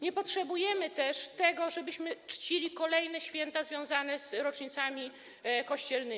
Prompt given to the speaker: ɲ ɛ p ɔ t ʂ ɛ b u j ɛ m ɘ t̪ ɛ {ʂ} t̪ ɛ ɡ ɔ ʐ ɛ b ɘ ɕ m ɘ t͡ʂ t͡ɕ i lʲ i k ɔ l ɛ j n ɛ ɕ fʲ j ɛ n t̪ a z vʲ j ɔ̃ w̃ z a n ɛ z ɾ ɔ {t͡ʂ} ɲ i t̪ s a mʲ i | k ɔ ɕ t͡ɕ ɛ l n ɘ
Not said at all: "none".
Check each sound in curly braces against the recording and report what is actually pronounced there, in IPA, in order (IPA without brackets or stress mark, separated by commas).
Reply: ʂ, t͡ʂ